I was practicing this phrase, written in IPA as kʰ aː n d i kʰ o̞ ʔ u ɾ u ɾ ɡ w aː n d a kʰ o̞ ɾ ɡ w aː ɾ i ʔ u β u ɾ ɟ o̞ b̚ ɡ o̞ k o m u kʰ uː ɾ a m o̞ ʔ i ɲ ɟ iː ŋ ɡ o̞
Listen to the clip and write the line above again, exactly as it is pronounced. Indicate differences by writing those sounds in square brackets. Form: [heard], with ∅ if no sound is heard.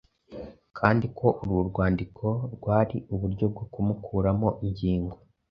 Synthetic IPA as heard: kʰ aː n d i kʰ o̞ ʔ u ɾ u ɾ ɡ w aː n d [i] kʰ o̞ ɾ ɡ w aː ɾ i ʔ u β u ɾ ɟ o̞ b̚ ɡ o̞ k [u] m u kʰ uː ɾ a m o̞ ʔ i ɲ ɟ iː ŋ ɡ o̞